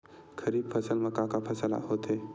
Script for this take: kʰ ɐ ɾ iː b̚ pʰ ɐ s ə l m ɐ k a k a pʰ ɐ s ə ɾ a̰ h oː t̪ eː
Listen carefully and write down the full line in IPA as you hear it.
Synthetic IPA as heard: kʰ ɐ ɾ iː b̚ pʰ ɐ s ə l m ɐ k a k a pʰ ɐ s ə l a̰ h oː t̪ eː